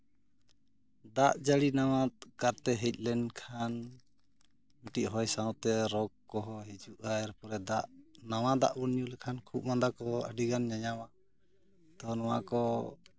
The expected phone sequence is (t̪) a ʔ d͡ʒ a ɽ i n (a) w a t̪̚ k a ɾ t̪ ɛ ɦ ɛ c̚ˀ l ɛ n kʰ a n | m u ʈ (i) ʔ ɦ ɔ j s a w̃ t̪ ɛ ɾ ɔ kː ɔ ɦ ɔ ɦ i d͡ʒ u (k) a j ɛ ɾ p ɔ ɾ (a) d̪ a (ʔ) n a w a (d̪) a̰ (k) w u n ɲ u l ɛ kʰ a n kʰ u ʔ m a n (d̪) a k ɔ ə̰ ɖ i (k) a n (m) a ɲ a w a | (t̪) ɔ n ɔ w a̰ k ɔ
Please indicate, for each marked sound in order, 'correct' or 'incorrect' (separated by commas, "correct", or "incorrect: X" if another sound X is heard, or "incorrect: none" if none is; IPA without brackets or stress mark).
incorrect: d̪, correct, correct, incorrect: ʔ, incorrect: ɛ, correct, correct, incorrect: ʔ, correct, incorrect: ɡ, incorrect: ɲ, correct